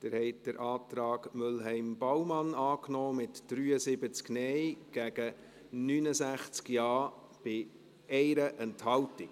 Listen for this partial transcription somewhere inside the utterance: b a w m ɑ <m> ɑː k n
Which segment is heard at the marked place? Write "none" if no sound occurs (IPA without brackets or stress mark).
n